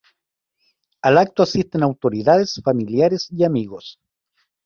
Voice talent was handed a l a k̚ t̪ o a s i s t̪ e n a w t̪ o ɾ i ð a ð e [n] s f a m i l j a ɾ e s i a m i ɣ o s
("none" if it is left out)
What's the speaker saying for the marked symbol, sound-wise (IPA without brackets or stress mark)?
none